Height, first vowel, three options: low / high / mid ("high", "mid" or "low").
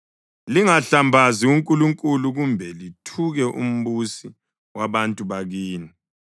high